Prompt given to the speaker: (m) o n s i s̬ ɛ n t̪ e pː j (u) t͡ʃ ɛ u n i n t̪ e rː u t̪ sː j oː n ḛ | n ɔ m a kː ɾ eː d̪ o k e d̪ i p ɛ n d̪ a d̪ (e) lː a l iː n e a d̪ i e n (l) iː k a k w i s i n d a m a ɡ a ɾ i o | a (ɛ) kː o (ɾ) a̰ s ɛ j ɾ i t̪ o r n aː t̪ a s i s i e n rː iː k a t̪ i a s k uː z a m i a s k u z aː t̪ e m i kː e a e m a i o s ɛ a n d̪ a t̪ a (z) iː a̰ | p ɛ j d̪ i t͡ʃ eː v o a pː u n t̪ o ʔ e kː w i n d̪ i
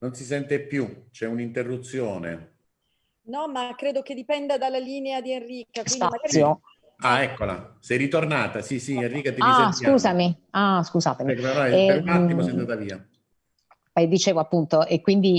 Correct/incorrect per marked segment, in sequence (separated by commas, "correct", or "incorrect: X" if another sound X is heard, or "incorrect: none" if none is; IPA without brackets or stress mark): incorrect: n, correct, incorrect: a, incorrect: r, correct, incorrect: l, incorrect: v